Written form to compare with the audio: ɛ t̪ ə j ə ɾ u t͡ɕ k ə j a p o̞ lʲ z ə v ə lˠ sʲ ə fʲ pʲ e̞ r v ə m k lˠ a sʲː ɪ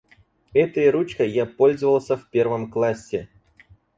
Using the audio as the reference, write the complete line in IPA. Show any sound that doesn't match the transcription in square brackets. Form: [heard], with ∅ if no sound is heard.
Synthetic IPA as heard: ɛ t̪ ə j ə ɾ u t͡ɕ k ə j a p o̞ lʲ z ə v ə lˠ sʲ ə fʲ pʲ e̞ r v ə m k lˠ a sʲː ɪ